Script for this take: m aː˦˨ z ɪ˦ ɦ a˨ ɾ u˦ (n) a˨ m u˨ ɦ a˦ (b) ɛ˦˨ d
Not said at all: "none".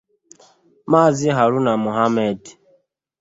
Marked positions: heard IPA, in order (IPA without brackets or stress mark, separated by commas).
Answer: n, m